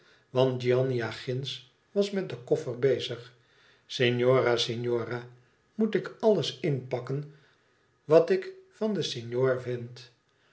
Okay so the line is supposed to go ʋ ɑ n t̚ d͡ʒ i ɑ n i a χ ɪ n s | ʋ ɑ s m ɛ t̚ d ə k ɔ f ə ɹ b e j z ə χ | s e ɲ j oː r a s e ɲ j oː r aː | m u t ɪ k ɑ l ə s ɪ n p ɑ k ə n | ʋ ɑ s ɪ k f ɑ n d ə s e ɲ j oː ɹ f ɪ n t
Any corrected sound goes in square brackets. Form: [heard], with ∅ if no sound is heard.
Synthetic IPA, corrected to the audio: ʋ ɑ n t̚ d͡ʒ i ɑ n i a χ ɪ n s | ʋ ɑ s m ɛ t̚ d ə k ɔ f ə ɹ b e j z ə χ | s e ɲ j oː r a s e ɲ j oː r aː | m u t ɪ k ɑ l ə s ɪ n p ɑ k ə n | ʋ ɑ [t] ɪ k f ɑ n d ə s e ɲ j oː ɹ [v] ɪ n t